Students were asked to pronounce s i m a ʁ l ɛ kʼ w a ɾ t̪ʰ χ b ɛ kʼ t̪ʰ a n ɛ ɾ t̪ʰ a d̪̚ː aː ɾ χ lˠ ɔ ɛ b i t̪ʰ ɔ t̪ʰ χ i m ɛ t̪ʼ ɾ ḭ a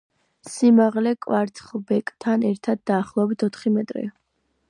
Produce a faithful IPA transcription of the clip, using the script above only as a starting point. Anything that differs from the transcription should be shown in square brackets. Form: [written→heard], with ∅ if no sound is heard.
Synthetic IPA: s i m a ʁ l ɛ kʼ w a ɾ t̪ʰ χ b ɛ kʼ t̪ʰ a n ɛ ɾ t̪ʰ a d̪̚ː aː [ɾ→∅] χ lˠ ɔ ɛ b i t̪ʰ ɔ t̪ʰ χ i m ɛ t̪ʼ ɾ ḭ a

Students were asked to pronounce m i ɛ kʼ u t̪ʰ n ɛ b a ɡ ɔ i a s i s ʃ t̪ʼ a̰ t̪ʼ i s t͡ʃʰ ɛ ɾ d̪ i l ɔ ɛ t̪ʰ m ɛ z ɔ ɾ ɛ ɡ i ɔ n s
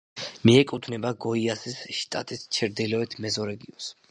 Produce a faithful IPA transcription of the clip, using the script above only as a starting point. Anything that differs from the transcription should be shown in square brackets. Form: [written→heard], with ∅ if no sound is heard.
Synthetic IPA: m i ɛ kʼ u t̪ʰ n ɛ b a ɡ ɔ i a s i s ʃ t̪ʼ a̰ t̪ʼ i s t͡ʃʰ ɛ ɾ d̪ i l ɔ ɛ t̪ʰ m ɛ z ɔ ɾ ɛ ɡ i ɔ n s

